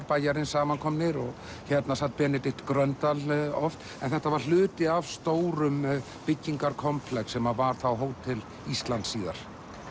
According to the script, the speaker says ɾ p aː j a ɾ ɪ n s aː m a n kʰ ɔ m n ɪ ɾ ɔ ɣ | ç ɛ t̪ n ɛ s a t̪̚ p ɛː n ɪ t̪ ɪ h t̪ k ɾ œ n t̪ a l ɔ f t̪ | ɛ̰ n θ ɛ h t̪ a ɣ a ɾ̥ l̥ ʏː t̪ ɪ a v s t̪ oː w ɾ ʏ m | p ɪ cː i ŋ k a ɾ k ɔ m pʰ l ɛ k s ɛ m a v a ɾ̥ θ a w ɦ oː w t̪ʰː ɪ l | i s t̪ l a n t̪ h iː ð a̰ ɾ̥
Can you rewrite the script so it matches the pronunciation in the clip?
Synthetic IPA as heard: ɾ p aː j a ɾ ɪ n s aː m a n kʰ ɔ m n ɪ ɾ ɔ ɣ | ç ɛ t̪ n a s a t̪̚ p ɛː n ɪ t̪ ɪ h t̪ k ɾ œ n t̪ a l ɔ f t̪ | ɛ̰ n θ ɛ h t̪ a v a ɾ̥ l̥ ʏː t̪ ɪ a v s t̪ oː w ɾ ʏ m | p ɪ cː i ŋ k a ɾ kʰ ɔ m pʰ l ɛ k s ɛ m a v a ɾ̥ θ a w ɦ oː w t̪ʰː ɪ l | i s t̪ l a n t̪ s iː ɣ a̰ ɾ̥